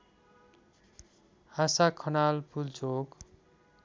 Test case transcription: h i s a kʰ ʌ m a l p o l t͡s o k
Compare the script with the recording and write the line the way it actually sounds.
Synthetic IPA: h a s a kʰ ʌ n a l p u l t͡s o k